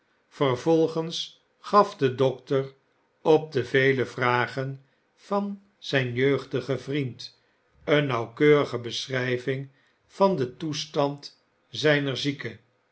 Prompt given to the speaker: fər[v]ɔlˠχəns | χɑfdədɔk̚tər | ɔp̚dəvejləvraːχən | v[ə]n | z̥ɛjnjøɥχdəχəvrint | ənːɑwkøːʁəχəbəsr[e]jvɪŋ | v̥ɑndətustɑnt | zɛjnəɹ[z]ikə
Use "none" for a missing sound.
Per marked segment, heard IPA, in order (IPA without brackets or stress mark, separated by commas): v, ɑ, ɛ, z